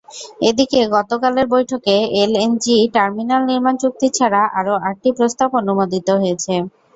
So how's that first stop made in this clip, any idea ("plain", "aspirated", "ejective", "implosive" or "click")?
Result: plain